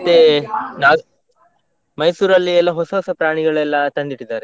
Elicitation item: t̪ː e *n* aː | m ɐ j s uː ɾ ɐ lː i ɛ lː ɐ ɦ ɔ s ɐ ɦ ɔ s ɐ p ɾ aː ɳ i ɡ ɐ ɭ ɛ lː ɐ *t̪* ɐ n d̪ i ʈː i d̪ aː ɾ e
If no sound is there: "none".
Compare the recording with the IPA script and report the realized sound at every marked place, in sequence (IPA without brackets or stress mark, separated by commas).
n, t̪